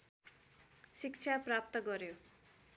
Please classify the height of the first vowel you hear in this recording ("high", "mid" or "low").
high